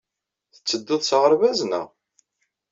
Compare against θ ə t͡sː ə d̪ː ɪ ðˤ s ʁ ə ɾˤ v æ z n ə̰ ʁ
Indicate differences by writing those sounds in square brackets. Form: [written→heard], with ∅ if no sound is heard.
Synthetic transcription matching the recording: θ ə t͡sː ə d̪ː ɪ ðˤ s ʁ ə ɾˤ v æ z n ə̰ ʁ